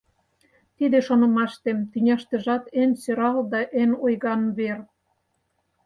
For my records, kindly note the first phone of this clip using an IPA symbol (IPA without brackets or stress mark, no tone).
t̪